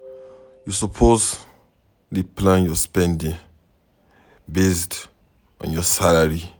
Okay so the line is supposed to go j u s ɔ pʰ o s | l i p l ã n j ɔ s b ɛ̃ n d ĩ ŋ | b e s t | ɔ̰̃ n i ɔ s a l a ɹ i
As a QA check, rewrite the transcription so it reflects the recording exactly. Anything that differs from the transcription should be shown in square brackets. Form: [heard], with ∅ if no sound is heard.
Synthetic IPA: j u s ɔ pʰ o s | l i p l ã n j ɔ s [p] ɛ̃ n d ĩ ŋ | b e s t | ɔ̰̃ n [j] ɔ s a l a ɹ i